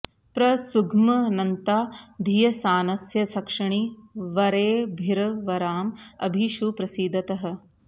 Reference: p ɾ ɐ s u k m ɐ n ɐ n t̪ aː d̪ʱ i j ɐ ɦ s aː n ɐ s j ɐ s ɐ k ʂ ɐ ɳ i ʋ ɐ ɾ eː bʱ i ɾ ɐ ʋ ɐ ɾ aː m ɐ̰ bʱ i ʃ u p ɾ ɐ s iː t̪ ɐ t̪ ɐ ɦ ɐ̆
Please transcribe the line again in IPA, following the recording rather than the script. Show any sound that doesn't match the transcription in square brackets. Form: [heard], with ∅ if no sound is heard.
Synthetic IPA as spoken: p ɾ ɐ s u [ɡ] m ɐ n ɐ n t̪ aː d̪ʱ i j ɐ [∅] s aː n ɐ s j ɐ s ɐ k ʂ ɐ ɳ i ʋ ɐ ɾ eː bʱ i ɾ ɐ ʋ ɐ ɾ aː m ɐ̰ bʱ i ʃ u p ɾ ɐ s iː [d̪] ɐ t̪ ɐ ɦ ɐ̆